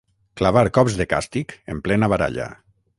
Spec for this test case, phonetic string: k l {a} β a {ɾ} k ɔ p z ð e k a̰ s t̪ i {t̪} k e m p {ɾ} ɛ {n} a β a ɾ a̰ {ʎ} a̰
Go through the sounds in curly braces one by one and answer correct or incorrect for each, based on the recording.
correct, correct, incorrect, incorrect, correct, correct

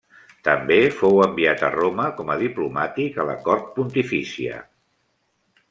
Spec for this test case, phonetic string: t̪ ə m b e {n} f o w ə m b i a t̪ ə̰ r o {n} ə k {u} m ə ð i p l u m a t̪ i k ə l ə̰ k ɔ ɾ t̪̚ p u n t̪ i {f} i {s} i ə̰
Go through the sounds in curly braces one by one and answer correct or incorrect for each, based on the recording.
incorrect, incorrect, incorrect, correct, correct

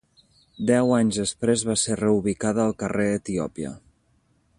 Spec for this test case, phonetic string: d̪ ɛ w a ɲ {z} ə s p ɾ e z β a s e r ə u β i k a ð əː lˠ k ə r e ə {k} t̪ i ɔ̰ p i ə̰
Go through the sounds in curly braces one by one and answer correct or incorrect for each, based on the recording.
correct, incorrect

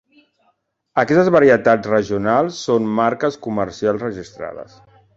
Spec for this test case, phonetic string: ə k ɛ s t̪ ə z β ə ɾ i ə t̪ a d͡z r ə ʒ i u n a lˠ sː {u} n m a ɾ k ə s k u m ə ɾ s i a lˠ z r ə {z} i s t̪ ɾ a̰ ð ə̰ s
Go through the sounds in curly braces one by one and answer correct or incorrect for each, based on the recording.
incorrect, incorrect

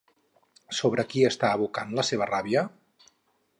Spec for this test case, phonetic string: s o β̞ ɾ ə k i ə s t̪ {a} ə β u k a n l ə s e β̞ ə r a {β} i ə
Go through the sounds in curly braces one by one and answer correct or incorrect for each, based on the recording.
correct, correct

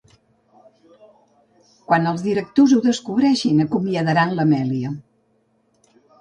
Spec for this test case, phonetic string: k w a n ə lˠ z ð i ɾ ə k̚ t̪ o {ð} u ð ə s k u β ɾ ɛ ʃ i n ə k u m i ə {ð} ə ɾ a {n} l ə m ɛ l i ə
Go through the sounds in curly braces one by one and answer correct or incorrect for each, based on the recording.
incorrect, correct, correct

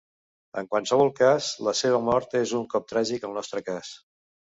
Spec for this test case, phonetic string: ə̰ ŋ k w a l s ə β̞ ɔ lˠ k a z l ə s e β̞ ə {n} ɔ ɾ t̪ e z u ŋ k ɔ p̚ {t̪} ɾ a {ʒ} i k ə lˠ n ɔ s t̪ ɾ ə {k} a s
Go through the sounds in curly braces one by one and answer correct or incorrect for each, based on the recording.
incorrect, correct, correct, correct

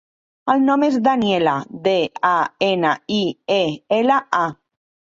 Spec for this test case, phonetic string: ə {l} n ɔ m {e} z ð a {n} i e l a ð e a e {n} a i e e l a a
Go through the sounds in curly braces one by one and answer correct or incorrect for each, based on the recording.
correct, correct, correct, correct

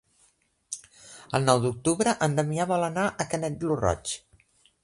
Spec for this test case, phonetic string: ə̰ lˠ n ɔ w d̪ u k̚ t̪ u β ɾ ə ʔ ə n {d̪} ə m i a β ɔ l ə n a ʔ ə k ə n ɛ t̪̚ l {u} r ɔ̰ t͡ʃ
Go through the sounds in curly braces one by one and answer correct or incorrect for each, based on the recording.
correct, correct

